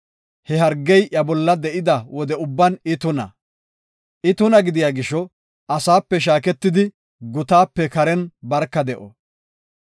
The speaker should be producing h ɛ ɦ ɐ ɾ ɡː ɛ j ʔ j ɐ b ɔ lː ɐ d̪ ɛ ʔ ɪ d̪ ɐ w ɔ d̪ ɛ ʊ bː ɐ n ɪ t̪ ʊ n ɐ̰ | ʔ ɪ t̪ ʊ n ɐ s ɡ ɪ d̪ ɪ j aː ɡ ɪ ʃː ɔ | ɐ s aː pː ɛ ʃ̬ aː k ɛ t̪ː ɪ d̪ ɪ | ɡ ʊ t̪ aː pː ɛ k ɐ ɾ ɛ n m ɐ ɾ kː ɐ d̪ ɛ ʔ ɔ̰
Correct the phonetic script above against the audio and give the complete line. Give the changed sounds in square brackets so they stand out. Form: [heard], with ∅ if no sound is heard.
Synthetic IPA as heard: h ɛ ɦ ɐ ɾ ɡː ɛ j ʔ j ɐ b ɔ lː ɐ d̪ ɛ ʔ ɪ d̪ ɐ w ɔ d̪ ɛ ʊ bː ɐ n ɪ t̪ ʊ n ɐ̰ | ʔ ɪ t̪ ʊ n ɐ [∅] ɡ ɪ d̪ ɪ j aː ɡ ɪ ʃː ɔ | ɐ s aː pː ɛ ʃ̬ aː k ɛ t̪ː ɪ d̪ ɪ | ɡ ʊ t̪ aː pː ɛ k ɐ ɾ ɛ n [b] ɐ ɾ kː ɐ d̪ ɛ ʔ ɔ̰

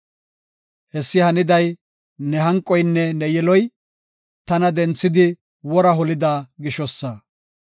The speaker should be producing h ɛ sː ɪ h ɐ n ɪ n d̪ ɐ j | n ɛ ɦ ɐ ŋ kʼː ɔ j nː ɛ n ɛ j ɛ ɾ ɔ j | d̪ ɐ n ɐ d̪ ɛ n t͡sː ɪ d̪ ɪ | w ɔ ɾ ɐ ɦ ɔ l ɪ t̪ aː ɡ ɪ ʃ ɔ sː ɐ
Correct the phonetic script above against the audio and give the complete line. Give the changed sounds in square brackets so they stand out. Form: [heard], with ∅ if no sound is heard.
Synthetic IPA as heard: h ɛ sː ɪ h ɐ n ɪ [∅] d̪ ɐ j | n ɛ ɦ ɐ ŋ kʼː ɔ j nː ɛ n ɛ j ɛ [l] ɔ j | [t̪] ɐ n ɐ d̪ ɛ n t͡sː ɪ d̪ ɪ | w ɔ ɾ ɐ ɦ ɔ l ɪ [d̪] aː ɡ ɪ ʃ ɔ sː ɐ

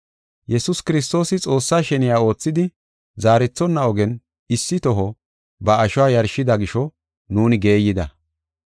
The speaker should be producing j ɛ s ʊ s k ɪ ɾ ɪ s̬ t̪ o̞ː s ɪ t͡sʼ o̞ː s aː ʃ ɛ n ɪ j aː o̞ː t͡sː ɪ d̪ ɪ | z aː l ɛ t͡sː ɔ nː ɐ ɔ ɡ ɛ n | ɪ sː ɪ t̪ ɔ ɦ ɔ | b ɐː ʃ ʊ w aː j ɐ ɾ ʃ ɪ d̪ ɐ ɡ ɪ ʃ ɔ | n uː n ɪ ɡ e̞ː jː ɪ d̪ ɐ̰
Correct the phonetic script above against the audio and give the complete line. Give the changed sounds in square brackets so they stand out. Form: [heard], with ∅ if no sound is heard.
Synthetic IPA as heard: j ɛ s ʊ s k ɪ ɾ ɪ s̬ t̪ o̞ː s ɪ t͡sʼ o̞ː [sː] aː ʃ ɛ n ɪ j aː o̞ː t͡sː ɪ d̪ ɪ | z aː [ɾ] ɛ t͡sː ɔ nː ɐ ɔ ɡ ɛ n | ɪ sː ɪ t̪ ɔ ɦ ɔ | b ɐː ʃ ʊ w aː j ɐ ɾ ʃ ɪ d̪ ɐ ɡ ɪ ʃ ɔ | n uː n ɪ ɡ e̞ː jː ɪ d̪ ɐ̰

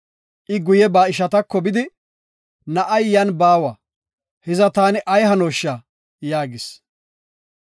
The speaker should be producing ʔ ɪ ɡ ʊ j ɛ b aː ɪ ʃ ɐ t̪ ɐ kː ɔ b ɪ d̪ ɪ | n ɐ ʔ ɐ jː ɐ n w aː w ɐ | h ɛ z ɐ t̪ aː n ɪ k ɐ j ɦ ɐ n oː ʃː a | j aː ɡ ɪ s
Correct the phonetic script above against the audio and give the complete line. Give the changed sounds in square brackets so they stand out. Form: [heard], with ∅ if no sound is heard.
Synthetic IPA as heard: ʔ ɪ ɡ ʊ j ɛ b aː ɪ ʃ ɐ t̪ ɐ kː ɔ b ɪ d̪ ɪ | n ɐ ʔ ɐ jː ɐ n [b] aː w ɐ | h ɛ z ɐ t̪ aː n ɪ [ʔ] ɐ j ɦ ɐ n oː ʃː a | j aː ɡ ɪ s

